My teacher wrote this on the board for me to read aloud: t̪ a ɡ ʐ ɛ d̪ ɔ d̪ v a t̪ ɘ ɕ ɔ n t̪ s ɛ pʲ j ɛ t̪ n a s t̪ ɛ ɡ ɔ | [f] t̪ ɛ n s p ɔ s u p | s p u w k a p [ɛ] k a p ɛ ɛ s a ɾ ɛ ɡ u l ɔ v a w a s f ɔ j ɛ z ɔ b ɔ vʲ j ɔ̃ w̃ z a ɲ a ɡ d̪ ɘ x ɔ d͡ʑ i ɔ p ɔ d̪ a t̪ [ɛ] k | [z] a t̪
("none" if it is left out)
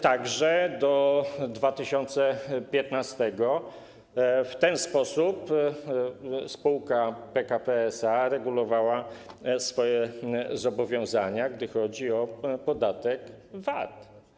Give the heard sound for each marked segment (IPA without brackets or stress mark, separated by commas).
f, ɛ, ɛ, v